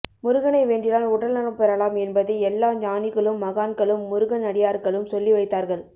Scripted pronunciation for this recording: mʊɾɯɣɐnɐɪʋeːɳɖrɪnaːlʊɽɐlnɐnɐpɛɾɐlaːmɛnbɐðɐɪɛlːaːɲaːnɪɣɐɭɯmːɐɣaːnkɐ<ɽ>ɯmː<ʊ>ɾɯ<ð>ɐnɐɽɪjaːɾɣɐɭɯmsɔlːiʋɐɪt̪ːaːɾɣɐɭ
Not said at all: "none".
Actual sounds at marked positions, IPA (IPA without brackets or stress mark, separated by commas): ɭ, ʊ, ɣ